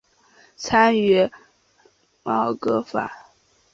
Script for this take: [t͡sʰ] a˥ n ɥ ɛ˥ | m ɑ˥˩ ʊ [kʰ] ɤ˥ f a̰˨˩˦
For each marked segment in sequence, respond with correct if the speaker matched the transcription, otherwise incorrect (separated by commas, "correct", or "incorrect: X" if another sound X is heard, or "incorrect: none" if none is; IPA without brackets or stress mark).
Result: correct, incorrect: k